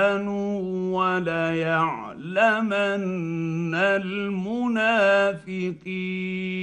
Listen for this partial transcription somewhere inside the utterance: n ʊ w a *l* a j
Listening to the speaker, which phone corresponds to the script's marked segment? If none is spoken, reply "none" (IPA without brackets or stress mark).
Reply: l